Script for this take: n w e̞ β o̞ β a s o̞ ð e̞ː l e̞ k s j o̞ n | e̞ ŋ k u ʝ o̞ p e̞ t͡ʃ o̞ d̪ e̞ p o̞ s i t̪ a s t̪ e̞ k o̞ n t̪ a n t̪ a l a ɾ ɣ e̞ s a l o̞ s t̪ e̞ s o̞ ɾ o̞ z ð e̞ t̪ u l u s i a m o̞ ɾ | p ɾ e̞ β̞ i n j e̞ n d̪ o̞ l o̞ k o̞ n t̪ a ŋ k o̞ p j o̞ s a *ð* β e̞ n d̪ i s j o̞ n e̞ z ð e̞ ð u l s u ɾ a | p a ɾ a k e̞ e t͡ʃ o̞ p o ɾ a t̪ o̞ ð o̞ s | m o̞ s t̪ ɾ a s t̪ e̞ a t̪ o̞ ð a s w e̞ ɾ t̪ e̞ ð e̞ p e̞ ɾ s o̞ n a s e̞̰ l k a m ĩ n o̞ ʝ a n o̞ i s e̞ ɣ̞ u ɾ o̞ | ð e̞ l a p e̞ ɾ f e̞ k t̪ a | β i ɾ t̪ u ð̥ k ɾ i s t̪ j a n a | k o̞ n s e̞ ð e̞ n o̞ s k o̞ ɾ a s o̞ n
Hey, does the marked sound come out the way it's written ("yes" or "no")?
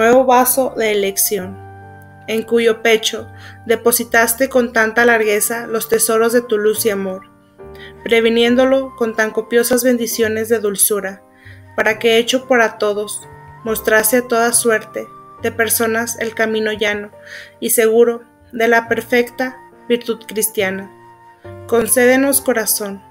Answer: no